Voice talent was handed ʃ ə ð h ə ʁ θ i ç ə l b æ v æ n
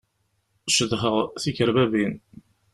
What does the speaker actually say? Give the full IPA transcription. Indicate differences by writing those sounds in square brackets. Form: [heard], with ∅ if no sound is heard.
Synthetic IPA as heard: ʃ ə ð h ə ʁ θ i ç ə [ɾ] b æ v [i] n